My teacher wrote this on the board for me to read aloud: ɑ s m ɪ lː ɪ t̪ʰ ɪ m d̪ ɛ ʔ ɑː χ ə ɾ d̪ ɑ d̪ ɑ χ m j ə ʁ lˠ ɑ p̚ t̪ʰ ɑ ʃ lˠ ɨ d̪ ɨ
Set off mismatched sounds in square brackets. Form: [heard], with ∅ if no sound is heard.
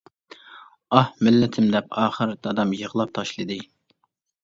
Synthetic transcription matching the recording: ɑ [h] m ɪ lː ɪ t̪ʰ ɪ m d̪ ɛ [p] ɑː χ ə ɾ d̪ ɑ d̪ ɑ [∅] m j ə ʁ lˠ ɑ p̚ t̪ʰ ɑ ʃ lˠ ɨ d̪ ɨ